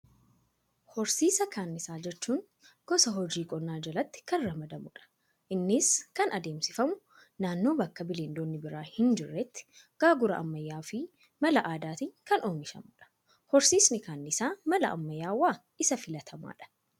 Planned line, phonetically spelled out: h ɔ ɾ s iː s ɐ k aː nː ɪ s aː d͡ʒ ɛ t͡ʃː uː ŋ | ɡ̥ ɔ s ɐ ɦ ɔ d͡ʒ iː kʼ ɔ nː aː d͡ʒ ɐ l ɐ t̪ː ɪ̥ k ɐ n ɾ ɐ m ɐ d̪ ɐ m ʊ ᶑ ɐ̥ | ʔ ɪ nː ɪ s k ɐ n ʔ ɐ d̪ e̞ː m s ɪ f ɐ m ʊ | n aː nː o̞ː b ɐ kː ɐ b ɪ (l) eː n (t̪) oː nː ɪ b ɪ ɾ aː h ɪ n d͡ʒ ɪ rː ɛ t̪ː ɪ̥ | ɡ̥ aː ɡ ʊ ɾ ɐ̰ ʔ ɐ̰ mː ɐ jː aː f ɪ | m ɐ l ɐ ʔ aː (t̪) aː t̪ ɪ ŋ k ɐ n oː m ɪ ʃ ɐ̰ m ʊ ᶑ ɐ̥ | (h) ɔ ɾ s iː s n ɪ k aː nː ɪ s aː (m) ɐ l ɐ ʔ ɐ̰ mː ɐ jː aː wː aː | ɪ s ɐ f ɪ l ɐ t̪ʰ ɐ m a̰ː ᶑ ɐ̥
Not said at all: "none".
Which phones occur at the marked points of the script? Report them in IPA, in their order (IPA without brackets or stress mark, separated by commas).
l, d̪, d̪, h, m